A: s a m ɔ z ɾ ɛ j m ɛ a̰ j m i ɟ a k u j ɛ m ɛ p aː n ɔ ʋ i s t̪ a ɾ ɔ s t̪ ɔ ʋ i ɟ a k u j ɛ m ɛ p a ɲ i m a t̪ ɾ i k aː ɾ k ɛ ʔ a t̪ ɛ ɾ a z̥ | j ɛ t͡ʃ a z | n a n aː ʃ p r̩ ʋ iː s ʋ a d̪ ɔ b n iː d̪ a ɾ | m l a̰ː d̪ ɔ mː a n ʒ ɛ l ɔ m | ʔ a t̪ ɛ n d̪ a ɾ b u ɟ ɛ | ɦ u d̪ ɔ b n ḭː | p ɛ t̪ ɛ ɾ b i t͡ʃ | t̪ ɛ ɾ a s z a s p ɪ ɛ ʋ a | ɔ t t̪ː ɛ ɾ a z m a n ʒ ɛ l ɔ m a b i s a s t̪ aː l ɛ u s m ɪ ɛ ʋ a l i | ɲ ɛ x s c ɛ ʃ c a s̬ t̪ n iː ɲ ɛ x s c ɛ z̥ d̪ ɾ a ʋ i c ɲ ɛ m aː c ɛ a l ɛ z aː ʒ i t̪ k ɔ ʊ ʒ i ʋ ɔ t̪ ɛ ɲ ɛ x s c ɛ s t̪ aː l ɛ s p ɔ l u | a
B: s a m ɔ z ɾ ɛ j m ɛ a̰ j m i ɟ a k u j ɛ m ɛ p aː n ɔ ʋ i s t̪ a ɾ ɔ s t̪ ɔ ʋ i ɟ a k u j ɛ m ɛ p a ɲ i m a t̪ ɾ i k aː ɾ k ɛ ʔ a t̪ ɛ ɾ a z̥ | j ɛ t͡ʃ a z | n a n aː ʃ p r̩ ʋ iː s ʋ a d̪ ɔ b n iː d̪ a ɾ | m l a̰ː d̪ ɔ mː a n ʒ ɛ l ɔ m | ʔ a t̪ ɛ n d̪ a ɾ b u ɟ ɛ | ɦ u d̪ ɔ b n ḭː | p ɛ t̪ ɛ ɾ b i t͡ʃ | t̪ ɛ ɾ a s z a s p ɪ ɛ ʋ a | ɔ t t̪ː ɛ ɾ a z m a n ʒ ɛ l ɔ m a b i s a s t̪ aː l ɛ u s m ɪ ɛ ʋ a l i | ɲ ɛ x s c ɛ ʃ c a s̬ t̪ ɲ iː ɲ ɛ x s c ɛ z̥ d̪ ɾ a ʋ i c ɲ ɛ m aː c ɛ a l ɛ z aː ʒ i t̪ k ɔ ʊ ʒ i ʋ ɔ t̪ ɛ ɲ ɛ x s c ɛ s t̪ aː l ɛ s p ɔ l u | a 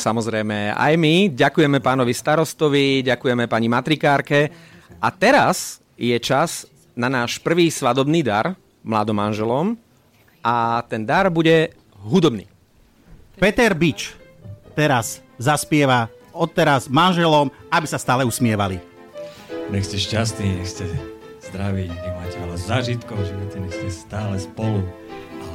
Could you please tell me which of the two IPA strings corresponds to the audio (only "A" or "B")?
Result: A